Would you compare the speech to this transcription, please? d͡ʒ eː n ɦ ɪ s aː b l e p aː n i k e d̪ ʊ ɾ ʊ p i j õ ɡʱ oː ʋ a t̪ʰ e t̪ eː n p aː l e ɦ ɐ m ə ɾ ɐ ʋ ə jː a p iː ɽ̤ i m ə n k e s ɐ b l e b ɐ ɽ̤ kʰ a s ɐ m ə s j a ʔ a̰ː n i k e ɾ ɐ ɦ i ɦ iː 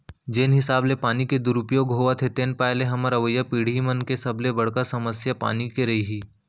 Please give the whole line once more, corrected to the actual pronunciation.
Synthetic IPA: d͡ʒ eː n ɦ ɪ s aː b l e p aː n i k e d̪ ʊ ɾ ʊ p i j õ ɡʱ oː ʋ a t̪ʰ e t̪ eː n p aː l e ɦ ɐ m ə ɾ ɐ ʋ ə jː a p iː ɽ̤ i m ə n k e s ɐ b l e b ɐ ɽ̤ k a s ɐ m ə s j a p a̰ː n i k e ɾ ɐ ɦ i ɦ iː